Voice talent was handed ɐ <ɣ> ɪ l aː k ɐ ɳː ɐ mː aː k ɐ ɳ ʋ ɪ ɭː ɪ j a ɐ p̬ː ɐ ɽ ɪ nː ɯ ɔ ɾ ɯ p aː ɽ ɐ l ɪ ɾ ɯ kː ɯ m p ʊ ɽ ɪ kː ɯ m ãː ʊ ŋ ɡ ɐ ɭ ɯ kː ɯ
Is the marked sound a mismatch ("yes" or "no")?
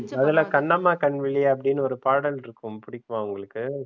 yes